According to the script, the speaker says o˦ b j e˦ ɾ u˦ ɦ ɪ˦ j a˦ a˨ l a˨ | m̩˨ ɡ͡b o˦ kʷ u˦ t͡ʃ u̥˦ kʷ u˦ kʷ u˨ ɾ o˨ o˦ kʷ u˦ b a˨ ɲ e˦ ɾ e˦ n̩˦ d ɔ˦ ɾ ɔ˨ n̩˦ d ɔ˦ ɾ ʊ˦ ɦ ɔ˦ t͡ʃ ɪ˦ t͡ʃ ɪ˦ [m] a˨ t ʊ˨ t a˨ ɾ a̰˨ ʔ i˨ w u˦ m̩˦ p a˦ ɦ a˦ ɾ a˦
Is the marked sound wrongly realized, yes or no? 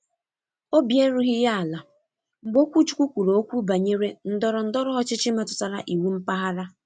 no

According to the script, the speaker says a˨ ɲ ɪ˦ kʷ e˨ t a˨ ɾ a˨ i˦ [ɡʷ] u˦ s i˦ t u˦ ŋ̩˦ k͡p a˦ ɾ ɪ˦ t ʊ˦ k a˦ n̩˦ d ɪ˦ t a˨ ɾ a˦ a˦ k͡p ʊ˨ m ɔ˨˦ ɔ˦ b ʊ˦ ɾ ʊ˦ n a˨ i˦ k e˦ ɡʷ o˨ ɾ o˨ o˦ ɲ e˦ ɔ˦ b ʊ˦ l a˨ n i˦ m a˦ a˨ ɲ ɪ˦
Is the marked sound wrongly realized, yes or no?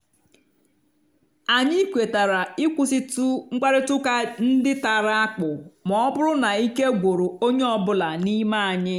yes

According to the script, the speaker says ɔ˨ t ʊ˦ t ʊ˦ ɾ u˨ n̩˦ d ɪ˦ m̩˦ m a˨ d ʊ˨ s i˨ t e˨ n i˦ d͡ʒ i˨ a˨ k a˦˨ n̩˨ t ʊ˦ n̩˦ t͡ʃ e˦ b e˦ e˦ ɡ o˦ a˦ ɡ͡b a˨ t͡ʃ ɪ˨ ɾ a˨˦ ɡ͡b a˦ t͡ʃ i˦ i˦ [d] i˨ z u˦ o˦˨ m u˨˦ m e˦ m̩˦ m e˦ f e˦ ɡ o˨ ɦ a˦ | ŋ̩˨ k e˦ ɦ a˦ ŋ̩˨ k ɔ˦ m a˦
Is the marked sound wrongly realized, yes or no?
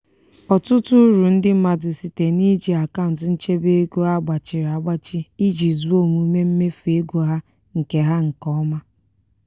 yes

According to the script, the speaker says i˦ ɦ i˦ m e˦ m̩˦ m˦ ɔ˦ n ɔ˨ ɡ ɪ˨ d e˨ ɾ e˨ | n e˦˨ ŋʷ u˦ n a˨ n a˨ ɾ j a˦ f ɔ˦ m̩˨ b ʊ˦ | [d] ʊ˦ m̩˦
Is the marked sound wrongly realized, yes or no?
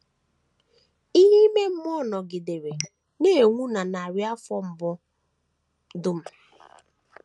no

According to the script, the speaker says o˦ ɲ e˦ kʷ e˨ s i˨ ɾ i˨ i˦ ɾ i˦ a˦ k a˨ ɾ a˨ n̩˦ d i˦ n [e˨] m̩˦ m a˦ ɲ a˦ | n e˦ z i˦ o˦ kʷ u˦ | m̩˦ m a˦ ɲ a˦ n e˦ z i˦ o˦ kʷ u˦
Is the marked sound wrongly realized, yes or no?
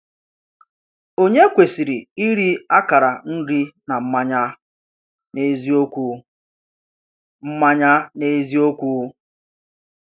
yes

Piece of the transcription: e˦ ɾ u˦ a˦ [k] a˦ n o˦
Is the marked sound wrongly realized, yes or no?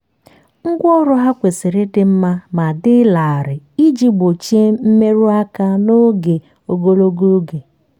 no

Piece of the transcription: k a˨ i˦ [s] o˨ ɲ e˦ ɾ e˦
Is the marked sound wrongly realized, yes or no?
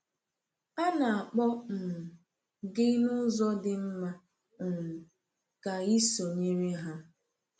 no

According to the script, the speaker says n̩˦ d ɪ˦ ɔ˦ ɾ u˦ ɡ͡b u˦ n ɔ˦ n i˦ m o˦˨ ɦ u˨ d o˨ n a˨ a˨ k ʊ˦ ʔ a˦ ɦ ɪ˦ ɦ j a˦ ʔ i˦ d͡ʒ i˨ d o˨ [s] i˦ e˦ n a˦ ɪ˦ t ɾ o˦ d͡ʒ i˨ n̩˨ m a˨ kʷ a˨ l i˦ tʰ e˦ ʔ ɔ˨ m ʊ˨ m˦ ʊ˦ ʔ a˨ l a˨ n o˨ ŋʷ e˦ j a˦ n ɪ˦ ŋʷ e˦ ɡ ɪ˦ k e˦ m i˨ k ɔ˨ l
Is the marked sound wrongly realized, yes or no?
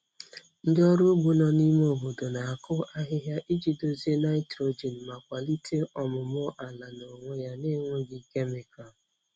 yes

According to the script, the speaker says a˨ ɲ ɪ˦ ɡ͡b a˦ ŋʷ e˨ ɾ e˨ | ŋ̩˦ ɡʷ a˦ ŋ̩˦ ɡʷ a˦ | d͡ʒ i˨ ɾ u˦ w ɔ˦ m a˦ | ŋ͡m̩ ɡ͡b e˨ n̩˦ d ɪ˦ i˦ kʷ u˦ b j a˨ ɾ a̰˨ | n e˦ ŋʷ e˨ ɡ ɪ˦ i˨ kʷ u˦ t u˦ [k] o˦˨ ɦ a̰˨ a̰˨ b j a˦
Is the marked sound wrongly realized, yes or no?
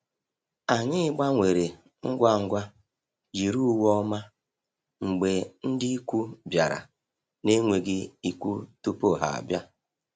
yes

